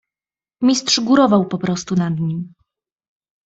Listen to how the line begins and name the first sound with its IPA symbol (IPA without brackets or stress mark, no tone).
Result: mʲ